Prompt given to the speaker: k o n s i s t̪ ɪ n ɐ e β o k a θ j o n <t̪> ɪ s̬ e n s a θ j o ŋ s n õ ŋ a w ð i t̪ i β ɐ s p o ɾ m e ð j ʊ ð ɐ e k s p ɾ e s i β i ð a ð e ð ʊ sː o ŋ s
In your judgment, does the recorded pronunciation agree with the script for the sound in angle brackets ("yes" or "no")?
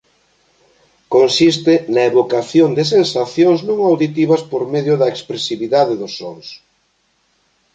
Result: no